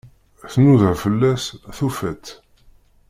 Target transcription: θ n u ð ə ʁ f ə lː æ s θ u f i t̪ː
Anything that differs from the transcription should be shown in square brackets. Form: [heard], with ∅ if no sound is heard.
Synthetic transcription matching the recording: θ n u ð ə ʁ f ə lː æ s θ u f [æ] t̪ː